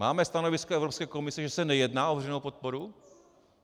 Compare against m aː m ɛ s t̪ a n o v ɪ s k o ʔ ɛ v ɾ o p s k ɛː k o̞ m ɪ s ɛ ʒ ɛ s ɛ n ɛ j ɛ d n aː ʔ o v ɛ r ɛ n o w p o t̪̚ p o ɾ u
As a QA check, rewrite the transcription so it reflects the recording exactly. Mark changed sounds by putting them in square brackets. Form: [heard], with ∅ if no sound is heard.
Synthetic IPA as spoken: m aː m ɛ s t̪ a n o v ɪ s k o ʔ ɛ v ɾ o p s k ɛː k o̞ m ɪ s ɛ ʒ ɛ s ɛ n ɛ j ɛ d n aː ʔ o v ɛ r ɛ n o w p o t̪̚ p o ɾ u